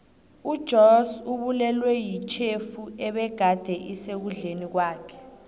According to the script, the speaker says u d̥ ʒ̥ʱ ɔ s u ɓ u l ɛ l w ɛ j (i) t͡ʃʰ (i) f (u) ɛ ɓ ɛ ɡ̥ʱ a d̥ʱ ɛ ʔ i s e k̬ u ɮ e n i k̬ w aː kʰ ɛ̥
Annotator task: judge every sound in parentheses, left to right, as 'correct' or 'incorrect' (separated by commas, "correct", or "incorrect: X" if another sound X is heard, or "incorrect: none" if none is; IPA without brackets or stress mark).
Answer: correct, incorrect: e, correct